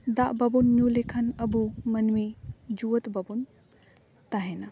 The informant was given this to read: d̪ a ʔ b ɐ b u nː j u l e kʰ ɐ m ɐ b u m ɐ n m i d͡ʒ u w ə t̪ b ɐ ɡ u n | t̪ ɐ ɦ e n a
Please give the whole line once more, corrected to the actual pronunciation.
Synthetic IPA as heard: d̪ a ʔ b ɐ b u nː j u l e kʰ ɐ n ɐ b u m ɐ n m i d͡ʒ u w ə t̪ b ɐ b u n | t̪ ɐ ɦ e n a